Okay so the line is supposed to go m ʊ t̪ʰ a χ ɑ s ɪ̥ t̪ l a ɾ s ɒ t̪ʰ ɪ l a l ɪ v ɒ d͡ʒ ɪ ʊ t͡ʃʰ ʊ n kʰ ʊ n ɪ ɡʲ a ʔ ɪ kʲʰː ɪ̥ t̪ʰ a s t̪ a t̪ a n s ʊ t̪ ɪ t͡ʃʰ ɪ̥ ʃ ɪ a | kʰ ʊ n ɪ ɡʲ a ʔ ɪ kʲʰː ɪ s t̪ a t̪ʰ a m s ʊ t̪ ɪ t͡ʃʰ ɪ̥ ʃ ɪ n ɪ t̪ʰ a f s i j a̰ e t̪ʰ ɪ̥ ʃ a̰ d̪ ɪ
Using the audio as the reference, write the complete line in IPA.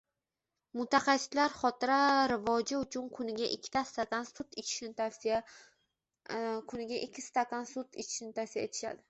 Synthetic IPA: m ʊ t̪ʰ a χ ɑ s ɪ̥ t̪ l a ɾ χ ɒ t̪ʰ ɪ ɾ a ɾ ɪ v ɒ d͡ʒ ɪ ʊ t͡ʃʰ ʊ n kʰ ʊ n ɪ ɡʲ a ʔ ɪ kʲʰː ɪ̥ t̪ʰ a s t̪ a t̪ a n s ʊ t̪ ɪ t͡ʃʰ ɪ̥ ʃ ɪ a | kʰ ʊ n ɪ ɡʲ a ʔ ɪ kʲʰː ɪ s t̪ a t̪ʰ a n s ʊ t̪ ɪ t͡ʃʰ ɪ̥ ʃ ɪ n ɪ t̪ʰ a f s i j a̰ e t̪ʰ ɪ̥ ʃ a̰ d̪ ɪ

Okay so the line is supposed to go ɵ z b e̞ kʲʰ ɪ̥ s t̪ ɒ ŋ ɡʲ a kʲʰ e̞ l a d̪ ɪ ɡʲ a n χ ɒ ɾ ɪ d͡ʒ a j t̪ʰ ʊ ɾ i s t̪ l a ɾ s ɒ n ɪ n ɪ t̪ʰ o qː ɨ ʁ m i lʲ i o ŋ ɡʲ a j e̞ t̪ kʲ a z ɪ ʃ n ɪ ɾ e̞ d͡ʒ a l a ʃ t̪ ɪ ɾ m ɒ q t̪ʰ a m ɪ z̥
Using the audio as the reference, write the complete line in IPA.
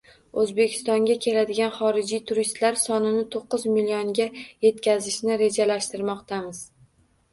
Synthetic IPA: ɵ z b e̞ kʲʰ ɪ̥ s t̪ ɒ ŋ ɡʲ a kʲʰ e̞ l a d̪ ɪ ɡʲ a n χ ɒ ɾ ɪ d͡ʒ i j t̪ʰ ʊ ɾ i s t̪ l a ɾ s ɒ n ɪ n ɪ t̪ʰ o qː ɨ z m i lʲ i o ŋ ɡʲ a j e̞ t̪ kʲ a z ɪ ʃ n ɪ ɾ e̞ d͡ʒ a l a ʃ t̪ ɪ ɾ m ɒ q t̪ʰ a m ɪ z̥

